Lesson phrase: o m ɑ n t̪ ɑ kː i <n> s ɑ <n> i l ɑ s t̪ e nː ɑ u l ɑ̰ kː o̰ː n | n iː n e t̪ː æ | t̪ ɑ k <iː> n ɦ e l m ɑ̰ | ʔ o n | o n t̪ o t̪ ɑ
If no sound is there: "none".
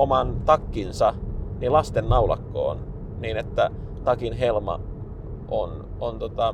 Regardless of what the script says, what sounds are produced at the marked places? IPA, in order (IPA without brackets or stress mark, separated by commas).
n, n, i